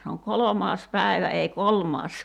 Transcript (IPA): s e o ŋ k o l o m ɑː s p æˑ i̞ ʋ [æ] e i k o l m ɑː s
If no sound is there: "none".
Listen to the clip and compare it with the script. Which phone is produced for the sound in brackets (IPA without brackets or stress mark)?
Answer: æ